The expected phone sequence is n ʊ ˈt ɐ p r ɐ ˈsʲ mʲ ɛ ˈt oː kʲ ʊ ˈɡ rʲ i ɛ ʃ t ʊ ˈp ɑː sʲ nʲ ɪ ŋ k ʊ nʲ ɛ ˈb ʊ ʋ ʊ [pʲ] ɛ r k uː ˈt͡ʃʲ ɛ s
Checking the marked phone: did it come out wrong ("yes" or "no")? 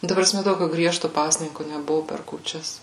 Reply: no